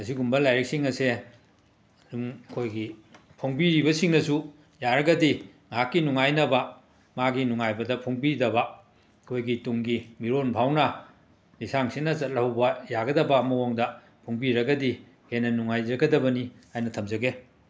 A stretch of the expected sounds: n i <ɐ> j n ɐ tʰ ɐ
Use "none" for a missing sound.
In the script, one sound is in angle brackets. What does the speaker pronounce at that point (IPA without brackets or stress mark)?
a